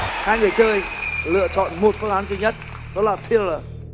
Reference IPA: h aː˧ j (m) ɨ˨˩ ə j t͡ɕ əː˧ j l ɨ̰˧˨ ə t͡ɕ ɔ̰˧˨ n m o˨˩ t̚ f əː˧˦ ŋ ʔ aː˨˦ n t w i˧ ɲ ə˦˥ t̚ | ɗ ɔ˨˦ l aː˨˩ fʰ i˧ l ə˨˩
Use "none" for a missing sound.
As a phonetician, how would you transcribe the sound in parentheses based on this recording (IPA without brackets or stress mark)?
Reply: ŋ